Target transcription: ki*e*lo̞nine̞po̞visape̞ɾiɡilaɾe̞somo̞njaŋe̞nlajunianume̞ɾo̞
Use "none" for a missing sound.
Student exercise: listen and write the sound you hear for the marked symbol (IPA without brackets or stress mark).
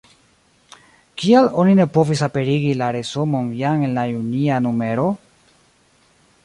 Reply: a